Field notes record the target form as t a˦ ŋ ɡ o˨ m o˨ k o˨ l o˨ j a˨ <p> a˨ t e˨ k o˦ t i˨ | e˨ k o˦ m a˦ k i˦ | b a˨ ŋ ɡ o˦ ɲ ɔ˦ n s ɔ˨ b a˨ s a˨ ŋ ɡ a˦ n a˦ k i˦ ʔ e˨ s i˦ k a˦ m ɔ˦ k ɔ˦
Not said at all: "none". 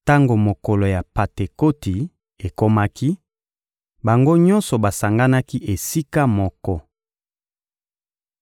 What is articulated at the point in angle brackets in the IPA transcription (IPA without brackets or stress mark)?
p